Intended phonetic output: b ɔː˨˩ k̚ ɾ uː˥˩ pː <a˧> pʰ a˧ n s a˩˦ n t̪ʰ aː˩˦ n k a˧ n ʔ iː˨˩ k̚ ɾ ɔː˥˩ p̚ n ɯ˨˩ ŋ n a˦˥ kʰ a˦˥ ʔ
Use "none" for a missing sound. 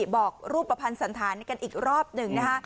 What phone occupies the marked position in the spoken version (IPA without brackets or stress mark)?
a˧